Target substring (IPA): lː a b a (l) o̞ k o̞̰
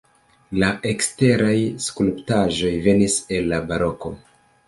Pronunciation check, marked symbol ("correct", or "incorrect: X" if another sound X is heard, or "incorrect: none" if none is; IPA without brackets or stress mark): incorrect: ɾ